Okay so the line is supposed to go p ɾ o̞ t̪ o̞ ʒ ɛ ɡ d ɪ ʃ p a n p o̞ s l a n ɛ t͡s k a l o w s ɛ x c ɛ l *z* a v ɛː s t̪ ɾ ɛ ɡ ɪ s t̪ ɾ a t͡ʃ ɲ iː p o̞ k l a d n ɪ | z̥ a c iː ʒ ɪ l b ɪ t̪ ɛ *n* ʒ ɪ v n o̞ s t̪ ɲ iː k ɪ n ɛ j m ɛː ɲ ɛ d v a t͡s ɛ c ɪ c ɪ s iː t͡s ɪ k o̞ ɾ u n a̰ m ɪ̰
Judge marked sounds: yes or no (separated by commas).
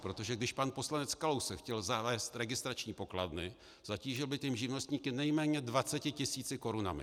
yes, no